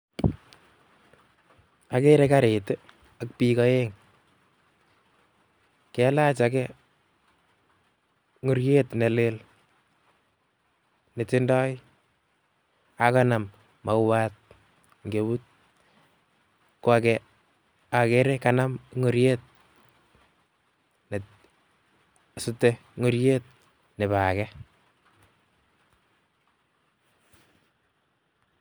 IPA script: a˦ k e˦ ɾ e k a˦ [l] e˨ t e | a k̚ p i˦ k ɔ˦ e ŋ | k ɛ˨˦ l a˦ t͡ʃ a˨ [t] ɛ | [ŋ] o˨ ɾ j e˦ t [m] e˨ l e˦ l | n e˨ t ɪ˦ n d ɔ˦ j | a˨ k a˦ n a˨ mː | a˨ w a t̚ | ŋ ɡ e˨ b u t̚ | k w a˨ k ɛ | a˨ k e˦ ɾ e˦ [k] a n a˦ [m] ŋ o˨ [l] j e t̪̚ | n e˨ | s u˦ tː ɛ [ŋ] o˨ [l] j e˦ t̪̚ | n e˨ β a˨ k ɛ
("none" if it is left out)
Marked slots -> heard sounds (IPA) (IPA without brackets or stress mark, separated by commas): ɾ, k, ŋ, n, k, m, ɾ, ŋ, ɾ